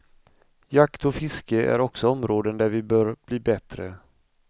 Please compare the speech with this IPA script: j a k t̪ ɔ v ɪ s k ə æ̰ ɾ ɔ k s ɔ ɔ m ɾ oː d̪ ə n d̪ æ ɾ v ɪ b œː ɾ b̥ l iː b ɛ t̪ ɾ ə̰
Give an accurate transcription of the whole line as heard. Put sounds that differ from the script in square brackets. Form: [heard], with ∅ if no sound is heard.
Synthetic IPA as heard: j a k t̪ ɔ [f] ɪ s k ə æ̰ ɾ ɔ k s ɔ ɔ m ɾ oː d̪ ə n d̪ æ ɾ v ɪ b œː ɾ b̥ l iː b ɛ t̪ ɾ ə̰